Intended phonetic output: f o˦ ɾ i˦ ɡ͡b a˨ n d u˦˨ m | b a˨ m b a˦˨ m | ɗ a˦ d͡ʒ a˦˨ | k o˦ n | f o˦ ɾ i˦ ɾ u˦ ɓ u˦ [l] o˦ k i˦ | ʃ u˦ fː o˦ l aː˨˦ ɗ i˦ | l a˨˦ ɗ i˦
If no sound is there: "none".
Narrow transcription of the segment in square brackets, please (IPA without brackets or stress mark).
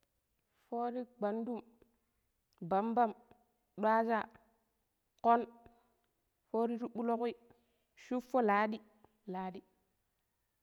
l